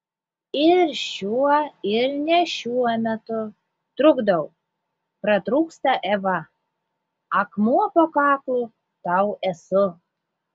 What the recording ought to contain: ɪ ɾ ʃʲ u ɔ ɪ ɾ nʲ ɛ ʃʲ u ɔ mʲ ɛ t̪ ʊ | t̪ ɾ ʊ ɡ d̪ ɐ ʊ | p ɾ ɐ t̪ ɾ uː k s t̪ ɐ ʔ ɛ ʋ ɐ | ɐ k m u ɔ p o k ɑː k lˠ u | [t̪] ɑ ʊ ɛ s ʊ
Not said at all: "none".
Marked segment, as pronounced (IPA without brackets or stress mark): t̪